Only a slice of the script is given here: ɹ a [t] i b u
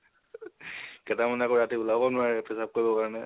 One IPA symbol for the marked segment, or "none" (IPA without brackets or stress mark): t